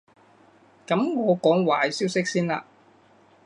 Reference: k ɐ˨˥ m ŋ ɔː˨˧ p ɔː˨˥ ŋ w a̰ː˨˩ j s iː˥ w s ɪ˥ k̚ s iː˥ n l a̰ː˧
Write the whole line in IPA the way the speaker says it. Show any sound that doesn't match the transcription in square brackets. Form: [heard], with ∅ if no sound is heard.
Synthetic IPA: k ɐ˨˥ m ŋ ɔː˨˧ [k] ɔː˨˥ ŋ w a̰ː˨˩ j s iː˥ w s ɪ˥ k̚ s iː˥ n l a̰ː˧